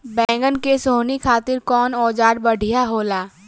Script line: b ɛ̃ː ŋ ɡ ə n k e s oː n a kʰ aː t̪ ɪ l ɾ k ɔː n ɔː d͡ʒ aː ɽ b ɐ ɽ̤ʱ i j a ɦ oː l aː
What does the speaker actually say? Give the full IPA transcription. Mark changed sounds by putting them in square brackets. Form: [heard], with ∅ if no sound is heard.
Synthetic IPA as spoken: b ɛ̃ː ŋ ɡ ə n k e s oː n [i] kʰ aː t̪ ɪ [∅] ɾ k ɔː n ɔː d͡ʒ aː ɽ b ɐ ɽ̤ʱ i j a ɦ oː l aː